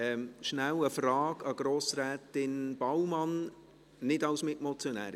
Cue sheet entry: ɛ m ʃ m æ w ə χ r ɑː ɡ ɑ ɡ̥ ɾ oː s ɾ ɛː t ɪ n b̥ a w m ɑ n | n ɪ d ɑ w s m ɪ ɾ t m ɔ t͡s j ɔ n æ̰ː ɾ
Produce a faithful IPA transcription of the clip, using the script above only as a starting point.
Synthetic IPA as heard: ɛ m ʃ n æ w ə f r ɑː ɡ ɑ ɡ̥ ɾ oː s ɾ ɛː t ɪ n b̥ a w m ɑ n | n ɪ d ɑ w s m ɪ t m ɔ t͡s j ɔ n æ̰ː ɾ